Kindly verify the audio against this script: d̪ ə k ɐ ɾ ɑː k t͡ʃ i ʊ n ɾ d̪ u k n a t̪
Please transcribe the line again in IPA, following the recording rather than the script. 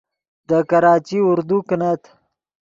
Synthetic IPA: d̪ ə k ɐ ɾ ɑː t͡ʃ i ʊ ɾ d̪ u k n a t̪